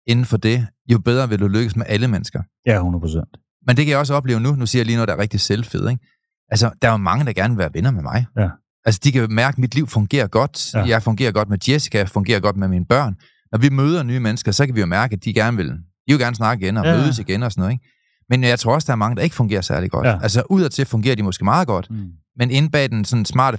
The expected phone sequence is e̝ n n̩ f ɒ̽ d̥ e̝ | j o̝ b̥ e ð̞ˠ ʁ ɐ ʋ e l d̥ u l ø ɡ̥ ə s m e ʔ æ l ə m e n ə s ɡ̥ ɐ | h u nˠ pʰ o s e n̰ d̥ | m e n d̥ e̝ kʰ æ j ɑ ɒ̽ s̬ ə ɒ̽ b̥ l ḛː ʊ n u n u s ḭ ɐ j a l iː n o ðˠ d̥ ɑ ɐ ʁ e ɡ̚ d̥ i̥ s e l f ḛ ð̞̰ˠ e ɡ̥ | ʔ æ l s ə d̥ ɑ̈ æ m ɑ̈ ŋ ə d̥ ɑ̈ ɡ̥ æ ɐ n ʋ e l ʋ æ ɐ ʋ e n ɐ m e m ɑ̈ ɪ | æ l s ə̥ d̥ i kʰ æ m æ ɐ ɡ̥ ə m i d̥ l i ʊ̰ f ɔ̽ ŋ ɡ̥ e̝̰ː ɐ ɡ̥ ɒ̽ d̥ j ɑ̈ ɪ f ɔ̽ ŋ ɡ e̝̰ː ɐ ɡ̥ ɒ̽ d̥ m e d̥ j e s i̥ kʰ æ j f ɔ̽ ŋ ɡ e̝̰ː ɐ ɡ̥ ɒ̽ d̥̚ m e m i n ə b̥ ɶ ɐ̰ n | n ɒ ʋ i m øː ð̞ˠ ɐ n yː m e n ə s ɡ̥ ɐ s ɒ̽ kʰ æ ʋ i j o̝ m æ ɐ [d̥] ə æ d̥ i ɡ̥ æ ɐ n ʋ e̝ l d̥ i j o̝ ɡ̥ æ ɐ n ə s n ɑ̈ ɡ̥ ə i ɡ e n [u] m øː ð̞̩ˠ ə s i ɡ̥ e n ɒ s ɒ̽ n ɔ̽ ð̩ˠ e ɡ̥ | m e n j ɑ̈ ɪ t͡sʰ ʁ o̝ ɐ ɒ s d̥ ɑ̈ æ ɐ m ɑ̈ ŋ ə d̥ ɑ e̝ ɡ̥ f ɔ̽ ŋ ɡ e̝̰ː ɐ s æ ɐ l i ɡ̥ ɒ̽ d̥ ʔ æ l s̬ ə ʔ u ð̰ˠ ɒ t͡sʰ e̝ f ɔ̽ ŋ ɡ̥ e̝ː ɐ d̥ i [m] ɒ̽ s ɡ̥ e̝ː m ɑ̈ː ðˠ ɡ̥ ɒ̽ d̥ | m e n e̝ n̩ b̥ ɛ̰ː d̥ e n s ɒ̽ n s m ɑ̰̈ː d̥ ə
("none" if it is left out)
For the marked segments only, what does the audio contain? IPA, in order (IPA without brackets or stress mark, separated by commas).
ɡ̥, ɒ, m